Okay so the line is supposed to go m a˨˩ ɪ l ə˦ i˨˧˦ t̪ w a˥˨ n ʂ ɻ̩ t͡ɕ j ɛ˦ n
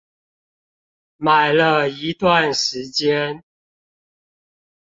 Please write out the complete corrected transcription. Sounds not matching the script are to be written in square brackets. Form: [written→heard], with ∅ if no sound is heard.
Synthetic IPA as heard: m a˨˩ ɪ l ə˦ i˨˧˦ t̪ w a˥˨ n ʂ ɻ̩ t͡ɕ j ɛ˦ n